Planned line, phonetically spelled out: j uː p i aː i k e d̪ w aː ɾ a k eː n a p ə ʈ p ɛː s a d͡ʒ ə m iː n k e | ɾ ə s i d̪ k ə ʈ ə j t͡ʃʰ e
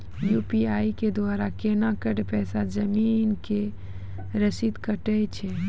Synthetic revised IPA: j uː p i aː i k e d̪ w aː ɾ a k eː n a k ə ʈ p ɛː s a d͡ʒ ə m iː n k e | ɾ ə s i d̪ k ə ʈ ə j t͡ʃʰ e